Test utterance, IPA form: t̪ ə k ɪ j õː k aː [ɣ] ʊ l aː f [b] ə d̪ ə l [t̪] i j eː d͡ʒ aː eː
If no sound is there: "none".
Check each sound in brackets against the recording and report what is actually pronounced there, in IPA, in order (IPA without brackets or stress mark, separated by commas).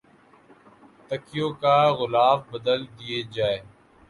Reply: ɣ, b, d̪